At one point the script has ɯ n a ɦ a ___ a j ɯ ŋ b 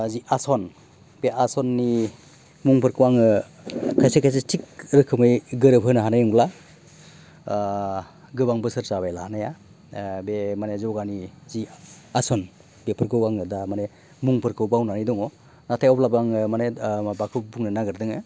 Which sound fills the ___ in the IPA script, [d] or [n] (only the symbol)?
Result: n